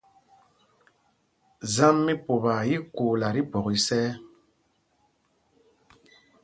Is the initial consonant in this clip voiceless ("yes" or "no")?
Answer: no